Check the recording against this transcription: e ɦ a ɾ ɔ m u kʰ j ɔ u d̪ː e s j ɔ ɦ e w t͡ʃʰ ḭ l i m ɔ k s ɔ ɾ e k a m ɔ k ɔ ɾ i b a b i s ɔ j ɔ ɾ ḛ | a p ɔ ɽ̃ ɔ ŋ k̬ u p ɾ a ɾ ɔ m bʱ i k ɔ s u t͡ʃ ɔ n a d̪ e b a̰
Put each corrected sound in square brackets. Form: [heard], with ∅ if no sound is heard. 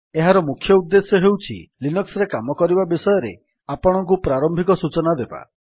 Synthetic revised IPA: e ɦ a ɾ ɔ m u kʰ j ɔ u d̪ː e s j ɔ ɦ e w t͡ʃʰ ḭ l i [n] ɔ k s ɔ ɾ e k a m ɔ k ɔ ɾ i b a b i s ɔ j ɔ ɾ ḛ | a p ɔ ɽ̃ ɔ ŋ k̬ u p ɾ a ɾ ɔ m bʱ i k ɔ s u t͡ʃ ɔ n a d̪ e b a̰

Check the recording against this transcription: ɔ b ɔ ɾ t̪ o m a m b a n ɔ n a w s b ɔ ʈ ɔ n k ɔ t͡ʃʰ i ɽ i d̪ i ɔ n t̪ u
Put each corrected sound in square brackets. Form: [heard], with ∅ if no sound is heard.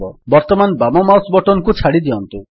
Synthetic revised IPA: ɔ b ɔ ɾ t̪ [ɔ] m a [n] b a [m] ɔ [m] a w s b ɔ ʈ ɔ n k [u] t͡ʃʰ [a] ɽ i d̪ i ɔ n t̪ u

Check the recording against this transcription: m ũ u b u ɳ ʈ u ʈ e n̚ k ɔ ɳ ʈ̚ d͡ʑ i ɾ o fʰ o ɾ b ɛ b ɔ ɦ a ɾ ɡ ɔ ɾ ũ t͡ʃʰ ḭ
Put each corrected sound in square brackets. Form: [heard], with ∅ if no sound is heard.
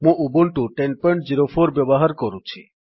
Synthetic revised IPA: m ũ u b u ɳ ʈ u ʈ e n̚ [p] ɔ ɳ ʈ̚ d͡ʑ i ɾ o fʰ o ɾ b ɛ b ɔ ɦ a ɾ [k] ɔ ɾ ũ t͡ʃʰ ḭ

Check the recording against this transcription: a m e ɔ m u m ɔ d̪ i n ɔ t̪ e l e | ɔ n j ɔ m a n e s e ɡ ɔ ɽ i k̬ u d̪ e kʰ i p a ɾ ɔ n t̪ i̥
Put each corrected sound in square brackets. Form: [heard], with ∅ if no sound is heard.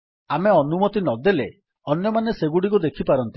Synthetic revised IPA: a m e ɔ [n] u m ɔ [t̪] i n ɔ [d̪] e l e | ɔ n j ɔ m a n e s e ɡ [u] ɽ i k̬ u d̪ e kʰ i p a ɾ ɔ n t̪ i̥

